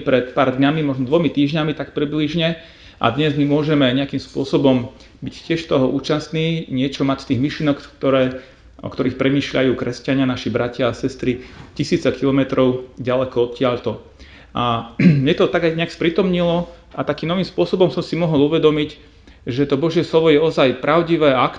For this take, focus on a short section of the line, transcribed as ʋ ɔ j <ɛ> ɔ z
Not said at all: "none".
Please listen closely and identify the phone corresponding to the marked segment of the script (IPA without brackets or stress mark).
ɛ